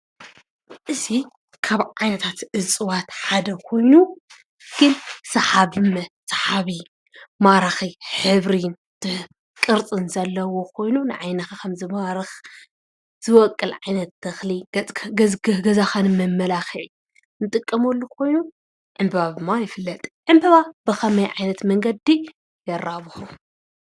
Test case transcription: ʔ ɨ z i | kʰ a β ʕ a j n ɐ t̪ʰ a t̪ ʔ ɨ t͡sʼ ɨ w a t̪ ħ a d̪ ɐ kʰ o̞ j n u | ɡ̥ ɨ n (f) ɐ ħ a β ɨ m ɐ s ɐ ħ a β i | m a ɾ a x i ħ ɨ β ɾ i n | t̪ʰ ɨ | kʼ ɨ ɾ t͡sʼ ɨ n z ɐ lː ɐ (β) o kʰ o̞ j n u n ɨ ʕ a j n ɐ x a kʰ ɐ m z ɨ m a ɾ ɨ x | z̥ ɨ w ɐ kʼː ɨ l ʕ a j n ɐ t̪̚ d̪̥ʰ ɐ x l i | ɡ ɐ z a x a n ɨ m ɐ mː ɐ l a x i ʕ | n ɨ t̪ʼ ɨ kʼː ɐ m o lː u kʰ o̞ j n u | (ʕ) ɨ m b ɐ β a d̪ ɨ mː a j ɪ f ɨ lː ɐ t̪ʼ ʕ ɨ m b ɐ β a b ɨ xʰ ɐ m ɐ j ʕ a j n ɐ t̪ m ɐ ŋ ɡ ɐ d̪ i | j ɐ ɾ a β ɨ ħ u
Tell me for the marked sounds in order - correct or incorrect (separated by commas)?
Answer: incorrect, incorrect, correct